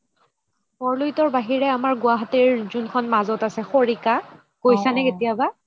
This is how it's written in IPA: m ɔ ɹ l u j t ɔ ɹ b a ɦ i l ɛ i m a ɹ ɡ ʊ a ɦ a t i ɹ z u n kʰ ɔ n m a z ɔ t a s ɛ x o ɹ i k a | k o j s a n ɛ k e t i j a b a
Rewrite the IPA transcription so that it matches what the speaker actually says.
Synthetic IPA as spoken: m ɔ ɹ l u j t ɔ ɹ b a ɦ i ɹ ɛ a m a ɹ ɡ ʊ a ɦ a t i ɹ z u n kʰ ɔ n m a z ɔ t a s ɛ x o ɹ i k a | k o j s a n ɛ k e t i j a b a